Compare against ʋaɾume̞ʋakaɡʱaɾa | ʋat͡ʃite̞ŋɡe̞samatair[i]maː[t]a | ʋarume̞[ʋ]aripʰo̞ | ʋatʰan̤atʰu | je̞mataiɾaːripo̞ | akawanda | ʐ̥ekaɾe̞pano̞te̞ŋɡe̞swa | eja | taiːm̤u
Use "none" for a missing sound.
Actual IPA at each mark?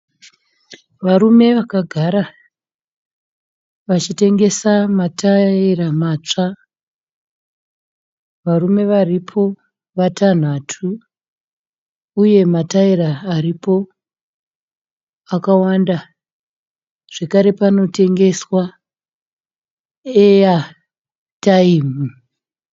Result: a, t͡ʂ, ʋ

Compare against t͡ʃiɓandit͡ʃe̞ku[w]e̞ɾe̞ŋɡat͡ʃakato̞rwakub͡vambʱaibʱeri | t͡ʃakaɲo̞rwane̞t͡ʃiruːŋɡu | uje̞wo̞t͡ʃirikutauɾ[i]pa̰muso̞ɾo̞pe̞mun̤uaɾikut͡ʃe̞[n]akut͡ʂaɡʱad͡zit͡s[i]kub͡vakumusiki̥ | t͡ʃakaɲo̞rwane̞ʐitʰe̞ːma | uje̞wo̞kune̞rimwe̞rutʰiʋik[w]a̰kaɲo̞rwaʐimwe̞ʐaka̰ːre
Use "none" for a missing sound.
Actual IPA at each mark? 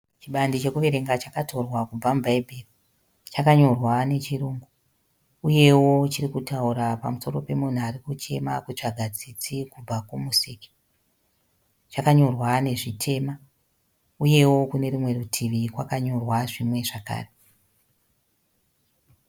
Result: ʋ, a, m, i, w

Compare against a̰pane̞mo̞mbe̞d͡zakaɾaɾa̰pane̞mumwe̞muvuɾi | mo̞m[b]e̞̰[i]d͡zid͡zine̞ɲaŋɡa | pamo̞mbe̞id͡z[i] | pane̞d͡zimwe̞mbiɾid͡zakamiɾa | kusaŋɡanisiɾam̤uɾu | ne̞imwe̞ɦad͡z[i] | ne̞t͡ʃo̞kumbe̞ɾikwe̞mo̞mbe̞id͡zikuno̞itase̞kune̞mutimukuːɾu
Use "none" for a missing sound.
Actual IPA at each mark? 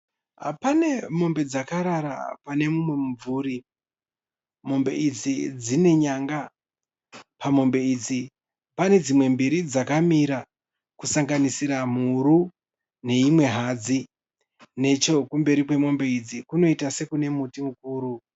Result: b, i, i, i

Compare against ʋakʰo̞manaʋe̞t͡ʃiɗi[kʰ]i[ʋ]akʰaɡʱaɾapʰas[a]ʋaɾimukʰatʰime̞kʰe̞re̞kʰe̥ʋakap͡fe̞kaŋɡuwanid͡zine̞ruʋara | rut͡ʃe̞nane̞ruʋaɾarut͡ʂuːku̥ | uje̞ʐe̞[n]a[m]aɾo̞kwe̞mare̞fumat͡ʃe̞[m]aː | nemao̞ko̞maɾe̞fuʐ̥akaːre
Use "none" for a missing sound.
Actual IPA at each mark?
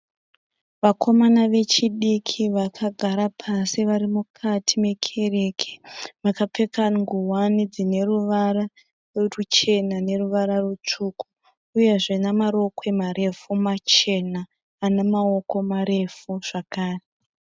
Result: kʰ, ʋ, i, n, m, n

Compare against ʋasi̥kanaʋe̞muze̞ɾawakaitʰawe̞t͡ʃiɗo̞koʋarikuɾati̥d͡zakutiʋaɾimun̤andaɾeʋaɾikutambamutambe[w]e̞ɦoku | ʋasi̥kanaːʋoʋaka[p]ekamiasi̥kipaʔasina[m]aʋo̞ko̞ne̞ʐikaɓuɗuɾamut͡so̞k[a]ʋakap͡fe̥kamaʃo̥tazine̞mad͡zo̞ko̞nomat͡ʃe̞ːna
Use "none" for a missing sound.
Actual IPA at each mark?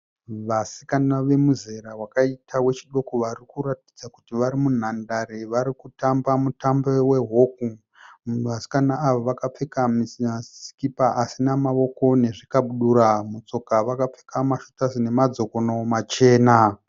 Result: w, p͡f, m, a

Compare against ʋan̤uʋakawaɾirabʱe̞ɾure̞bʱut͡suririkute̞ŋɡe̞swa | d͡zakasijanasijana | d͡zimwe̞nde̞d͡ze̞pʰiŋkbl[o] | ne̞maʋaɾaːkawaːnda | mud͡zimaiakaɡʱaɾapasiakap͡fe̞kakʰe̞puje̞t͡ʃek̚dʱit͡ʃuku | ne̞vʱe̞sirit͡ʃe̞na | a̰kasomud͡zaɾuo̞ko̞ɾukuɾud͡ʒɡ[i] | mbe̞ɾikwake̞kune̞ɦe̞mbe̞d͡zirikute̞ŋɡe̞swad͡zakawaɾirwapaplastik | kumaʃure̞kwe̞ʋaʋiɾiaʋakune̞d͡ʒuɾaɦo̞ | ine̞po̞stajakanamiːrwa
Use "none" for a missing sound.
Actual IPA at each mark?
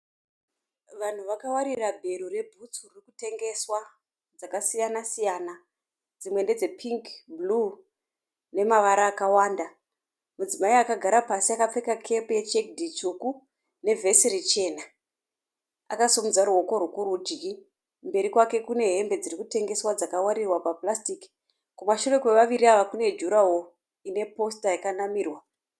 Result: u, i

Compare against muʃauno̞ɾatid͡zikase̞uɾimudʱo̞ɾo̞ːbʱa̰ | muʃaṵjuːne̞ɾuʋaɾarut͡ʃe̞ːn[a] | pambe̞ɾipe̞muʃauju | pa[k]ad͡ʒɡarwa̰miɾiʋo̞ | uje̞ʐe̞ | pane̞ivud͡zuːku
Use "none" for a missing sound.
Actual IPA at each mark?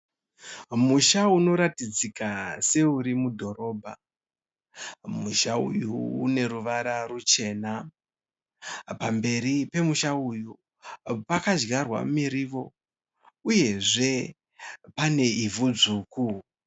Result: a, k

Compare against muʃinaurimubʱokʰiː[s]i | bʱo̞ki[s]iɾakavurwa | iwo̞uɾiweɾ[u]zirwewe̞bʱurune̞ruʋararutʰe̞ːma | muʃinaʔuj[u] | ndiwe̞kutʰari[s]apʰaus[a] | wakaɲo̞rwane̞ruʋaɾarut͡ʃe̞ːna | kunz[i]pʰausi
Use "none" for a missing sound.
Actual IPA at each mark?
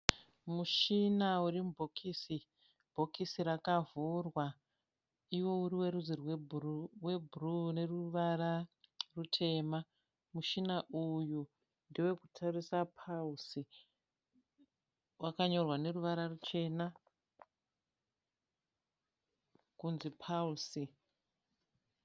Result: s, s, u, u, s, i, i

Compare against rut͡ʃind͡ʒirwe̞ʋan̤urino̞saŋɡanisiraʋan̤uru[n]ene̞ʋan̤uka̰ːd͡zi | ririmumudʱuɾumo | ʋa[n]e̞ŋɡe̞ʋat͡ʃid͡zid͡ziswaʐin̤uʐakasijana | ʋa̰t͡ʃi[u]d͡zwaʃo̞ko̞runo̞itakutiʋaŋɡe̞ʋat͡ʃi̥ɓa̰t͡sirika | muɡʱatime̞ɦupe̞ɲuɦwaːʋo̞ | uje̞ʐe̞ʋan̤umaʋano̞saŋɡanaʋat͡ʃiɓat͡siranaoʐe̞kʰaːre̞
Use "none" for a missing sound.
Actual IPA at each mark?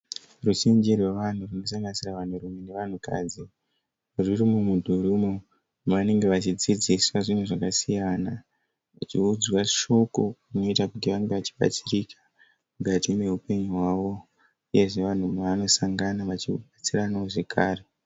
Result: m, n, u

